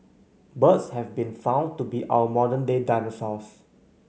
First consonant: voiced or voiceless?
voiced